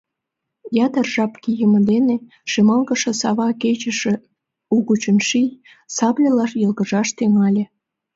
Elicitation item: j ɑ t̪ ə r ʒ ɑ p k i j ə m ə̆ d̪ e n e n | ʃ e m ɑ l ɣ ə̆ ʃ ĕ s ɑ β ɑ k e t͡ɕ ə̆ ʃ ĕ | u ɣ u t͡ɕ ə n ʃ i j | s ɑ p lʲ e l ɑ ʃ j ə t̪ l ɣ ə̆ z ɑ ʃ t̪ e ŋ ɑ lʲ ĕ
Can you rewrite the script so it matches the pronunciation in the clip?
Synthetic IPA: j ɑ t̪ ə r ʒ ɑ p k i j ə m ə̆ d̪ e n e | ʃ e m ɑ l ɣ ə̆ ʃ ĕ s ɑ β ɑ k e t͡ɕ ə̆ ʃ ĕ | u ɣ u t͡ɕ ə n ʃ i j | s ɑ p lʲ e l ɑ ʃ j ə l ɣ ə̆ ʒ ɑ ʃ t̪ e ŋ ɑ lʲ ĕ